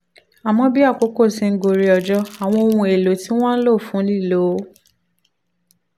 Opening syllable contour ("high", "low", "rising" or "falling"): low